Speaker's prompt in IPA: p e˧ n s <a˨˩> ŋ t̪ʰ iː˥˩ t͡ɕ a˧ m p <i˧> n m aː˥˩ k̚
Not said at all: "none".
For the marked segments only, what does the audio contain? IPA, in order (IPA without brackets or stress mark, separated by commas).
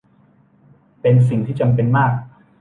i˨˩, e˧